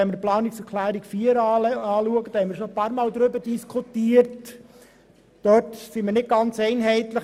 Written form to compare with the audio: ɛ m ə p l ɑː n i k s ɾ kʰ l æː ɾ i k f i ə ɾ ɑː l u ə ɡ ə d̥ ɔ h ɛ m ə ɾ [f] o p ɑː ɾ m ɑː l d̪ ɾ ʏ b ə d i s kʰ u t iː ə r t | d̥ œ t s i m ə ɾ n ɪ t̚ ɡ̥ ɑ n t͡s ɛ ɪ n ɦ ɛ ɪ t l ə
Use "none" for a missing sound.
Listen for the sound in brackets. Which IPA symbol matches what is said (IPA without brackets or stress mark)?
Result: ʃ